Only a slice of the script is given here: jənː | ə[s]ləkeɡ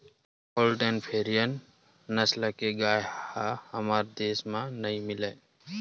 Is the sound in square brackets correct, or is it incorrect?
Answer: correct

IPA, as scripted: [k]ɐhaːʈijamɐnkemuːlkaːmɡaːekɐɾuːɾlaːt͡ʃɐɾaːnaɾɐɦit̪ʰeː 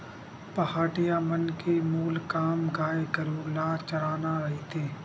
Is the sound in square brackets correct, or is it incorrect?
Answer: incorrect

